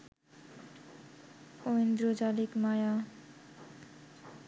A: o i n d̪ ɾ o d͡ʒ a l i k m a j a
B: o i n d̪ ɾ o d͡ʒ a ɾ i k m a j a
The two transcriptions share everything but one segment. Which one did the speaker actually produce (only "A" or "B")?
A